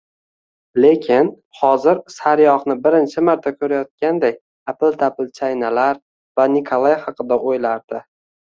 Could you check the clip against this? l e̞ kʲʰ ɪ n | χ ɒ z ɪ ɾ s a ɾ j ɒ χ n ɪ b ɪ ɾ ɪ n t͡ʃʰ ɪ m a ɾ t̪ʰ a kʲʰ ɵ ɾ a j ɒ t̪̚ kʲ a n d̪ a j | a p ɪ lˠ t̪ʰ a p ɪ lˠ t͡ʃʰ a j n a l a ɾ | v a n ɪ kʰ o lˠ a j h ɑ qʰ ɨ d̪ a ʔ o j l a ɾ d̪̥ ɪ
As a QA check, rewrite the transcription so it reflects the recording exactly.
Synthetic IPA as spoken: l e̞ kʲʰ ɪ n | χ ɒ z ɪ ɾ s a ɾ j ɒ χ n ɪ b ɪ ɾ ɪ n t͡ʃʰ ɪ m a ɾ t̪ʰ a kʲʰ ɵ ɾ a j ɒ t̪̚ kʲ a n d̪ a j | a p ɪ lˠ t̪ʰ a p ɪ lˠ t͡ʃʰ a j n a l a ɾ | v a n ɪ kʰ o lˠ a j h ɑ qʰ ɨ d̪ a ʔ o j l a ɾ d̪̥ ɪ